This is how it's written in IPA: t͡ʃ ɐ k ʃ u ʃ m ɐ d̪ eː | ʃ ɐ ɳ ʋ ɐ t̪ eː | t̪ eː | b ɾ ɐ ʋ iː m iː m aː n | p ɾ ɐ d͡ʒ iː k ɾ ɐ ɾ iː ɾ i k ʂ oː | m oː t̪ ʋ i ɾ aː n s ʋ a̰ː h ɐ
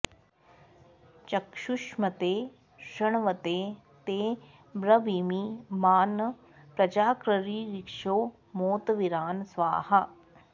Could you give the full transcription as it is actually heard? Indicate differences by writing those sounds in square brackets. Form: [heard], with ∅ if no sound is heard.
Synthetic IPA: t͡ʃ ɐ k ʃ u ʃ m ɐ [t̪] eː | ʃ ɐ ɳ ʋ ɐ t̪ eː | t̪ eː | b ɾ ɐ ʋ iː m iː m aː n | p ɾ ɐ d͡ʒ [aː] k ɾ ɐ ɾ iː ɾ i k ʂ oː | m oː t̪ ʋ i ɾ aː n s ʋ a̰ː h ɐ